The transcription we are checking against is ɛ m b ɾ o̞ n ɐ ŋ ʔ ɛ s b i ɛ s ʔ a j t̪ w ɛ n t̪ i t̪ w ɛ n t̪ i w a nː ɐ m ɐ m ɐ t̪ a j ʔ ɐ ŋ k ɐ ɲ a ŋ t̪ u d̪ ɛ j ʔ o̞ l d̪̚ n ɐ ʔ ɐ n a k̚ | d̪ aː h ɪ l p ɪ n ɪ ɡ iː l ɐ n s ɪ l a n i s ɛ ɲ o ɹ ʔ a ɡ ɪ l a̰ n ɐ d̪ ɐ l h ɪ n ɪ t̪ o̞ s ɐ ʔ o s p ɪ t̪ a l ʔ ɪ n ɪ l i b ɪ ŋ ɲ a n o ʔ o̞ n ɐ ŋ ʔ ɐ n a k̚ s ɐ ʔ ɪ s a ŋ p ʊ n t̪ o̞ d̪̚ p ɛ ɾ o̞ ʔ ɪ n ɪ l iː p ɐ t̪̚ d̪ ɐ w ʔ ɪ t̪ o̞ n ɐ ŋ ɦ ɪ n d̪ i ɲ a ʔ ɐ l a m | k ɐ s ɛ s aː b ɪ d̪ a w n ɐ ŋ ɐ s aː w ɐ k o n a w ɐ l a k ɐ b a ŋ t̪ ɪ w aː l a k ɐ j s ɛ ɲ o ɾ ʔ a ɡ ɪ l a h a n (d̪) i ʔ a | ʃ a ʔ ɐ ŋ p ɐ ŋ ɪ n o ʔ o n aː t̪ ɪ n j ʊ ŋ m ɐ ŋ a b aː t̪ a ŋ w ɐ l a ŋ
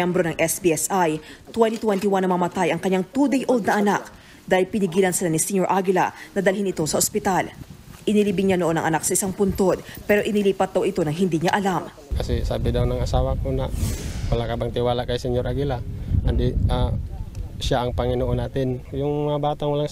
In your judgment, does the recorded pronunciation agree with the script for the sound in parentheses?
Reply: yes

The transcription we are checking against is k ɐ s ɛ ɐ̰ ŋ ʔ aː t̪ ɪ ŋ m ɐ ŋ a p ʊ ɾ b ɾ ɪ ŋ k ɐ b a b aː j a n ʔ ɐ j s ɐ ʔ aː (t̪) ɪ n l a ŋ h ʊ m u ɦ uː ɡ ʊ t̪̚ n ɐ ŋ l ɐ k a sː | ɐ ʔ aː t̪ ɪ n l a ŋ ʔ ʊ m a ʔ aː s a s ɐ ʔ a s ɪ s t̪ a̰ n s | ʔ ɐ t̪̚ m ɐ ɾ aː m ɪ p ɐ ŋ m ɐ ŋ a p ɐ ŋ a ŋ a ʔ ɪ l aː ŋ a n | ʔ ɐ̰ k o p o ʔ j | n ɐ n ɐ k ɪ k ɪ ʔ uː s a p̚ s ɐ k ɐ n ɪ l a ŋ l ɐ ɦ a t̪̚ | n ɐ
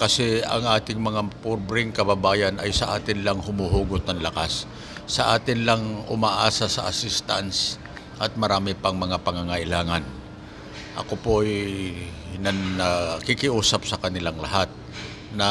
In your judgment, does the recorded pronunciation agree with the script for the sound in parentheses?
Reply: yes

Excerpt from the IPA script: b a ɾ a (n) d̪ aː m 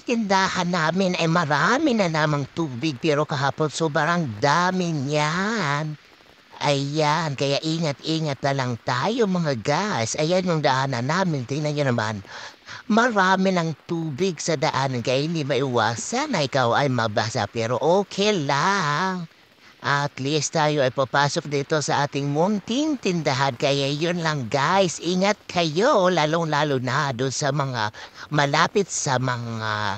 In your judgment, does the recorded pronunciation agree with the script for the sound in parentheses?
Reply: no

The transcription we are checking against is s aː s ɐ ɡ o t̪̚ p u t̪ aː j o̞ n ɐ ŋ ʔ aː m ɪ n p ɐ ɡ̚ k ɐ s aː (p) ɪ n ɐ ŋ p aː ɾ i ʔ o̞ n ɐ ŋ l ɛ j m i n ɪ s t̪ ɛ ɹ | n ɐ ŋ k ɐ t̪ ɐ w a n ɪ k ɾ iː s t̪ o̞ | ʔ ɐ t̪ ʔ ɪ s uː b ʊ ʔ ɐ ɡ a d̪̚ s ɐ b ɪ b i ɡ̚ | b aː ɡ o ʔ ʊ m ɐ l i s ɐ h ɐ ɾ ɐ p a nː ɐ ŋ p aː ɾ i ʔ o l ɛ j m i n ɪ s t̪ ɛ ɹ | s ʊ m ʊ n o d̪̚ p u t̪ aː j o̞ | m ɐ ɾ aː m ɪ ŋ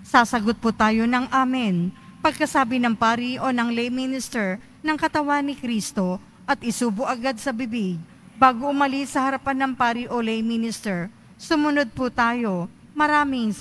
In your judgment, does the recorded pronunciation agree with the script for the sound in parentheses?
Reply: no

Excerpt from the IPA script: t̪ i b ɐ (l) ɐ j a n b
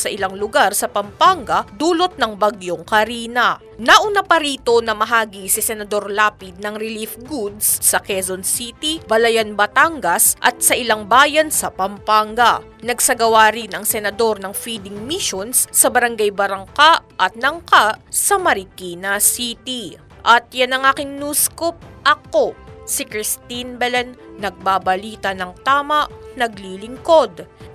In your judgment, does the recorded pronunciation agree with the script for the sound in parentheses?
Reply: yes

